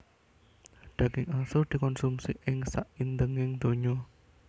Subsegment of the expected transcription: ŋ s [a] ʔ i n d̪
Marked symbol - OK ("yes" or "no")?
yes